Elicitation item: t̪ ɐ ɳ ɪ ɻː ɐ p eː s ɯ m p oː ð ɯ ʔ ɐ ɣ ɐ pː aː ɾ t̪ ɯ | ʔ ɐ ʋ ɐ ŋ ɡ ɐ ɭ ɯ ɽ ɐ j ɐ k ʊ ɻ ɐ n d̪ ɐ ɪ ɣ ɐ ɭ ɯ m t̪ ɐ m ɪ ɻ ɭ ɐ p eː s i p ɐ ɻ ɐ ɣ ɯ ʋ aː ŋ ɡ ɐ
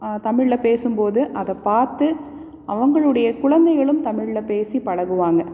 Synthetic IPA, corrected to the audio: t̪ ɐ m ɪ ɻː ɐ p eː s ɯ m p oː ð ɯ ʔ ɐ ð ɐ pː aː ɾ t̪ ɯ | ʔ ɐ ʋ ɐ ŋ ɡ ɐ ɭ ɯ ɽ ɐ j ɐ k ʊ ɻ ɐ n d̪ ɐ ɪ ɣ ɐ ɭ ɯ m t̪ ɐ m ɪ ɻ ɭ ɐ p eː s i p ɐ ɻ ɐ ɣ ɯ ʋ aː ŋ ɡ ɐ